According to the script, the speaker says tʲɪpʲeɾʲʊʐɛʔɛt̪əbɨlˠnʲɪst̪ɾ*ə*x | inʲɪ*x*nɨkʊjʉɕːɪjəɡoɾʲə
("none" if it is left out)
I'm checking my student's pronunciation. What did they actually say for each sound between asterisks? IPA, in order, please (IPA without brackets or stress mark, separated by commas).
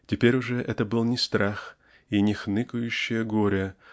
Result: a, x